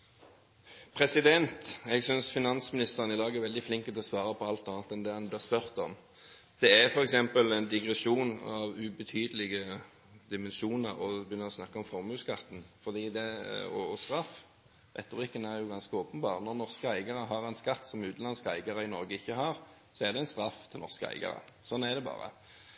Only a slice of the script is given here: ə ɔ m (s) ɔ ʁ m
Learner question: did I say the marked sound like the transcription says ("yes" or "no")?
no